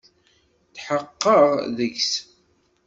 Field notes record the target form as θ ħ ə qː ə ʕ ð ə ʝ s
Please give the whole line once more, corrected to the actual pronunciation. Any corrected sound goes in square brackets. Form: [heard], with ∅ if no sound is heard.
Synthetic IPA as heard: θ ħ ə qː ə [ʁ] ð ə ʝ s